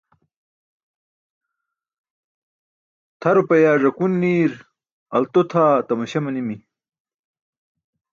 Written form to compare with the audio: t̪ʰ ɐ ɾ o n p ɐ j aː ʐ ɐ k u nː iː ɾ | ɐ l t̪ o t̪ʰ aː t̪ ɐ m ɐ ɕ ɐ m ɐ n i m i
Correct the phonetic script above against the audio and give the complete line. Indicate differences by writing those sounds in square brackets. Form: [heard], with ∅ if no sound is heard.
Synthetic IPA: t̪ʰ ɐ ɾ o [∅] p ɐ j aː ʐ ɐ k u nː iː ɾ | ɐ l t̪ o t̪ʰ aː t̪ ɐ m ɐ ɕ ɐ m ɐ n i m i